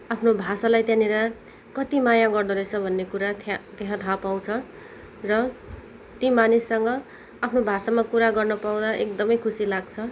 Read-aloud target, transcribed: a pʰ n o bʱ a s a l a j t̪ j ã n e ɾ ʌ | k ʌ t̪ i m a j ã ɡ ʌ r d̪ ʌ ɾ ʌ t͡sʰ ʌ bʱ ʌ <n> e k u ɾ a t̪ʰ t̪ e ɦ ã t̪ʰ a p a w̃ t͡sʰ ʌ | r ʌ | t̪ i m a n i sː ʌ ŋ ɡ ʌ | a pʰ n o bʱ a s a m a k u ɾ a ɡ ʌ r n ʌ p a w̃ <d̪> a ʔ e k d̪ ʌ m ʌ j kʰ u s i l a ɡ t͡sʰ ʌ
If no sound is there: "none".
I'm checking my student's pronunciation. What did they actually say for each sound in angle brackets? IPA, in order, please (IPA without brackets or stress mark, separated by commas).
nː, d̪